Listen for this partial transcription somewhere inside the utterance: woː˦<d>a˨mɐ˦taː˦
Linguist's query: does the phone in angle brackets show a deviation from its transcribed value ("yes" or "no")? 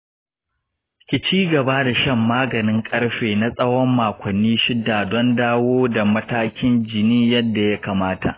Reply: no